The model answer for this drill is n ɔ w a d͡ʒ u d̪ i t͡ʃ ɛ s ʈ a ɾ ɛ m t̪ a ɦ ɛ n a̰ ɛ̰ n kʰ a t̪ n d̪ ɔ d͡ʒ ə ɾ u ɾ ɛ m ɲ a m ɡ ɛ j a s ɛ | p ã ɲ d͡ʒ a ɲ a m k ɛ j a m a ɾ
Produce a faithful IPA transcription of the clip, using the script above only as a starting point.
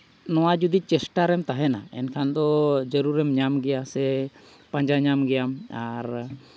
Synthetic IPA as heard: n ɔ w a d͡ʒ u d̪ i t͡ʃ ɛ s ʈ a ɾ ɛ m t̪ a ɦ ɛ n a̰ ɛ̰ n kʰ a n d̪ ɔ d͡ʒ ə ɾ u ɾ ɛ m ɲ a m ɡ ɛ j a s ɛ | p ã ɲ d͡ʒ a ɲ a m ɡ ɛ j a m a ɾ